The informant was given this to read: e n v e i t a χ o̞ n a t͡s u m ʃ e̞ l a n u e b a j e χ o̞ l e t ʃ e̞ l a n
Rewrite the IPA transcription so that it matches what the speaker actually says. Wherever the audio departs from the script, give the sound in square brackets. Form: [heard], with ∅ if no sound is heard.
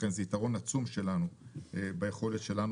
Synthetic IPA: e n [z] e i t a [ʁ] o̞ n a t͡s u m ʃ e̞ l a n u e b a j e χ o̞ l e t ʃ e̞ l a n